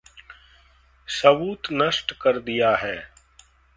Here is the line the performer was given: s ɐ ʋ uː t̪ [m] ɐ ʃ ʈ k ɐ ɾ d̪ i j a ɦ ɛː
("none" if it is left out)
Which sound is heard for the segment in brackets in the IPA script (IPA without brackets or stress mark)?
n